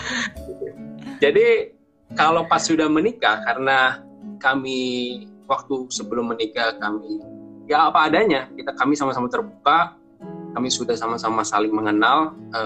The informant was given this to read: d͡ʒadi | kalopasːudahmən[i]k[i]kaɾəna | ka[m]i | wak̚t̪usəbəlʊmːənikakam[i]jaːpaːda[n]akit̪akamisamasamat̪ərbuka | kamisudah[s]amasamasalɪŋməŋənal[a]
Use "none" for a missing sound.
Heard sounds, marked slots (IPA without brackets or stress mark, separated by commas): i, a, m, i, ɲ, s, ə